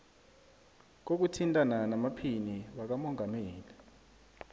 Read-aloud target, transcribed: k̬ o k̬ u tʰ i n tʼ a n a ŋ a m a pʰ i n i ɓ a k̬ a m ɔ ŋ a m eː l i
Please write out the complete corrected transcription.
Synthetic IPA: k̬ o k̬ u tʰ i n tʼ a n a n a m a pʰ i n i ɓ a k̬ a m ɔ ŋ a m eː l i